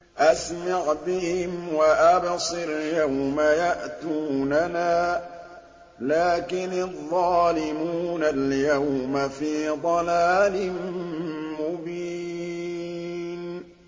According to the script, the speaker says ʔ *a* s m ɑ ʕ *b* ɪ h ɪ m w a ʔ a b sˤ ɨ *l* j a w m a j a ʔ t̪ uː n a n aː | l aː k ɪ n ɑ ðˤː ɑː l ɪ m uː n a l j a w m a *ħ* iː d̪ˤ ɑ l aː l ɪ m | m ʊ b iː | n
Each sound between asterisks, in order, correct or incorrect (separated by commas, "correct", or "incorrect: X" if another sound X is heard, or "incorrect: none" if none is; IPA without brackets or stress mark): correct, correct, incorrect: ɾ, incorrect: f